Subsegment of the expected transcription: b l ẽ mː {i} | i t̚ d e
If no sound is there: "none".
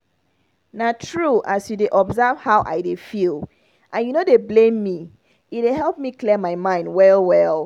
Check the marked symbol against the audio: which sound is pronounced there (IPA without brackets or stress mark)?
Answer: i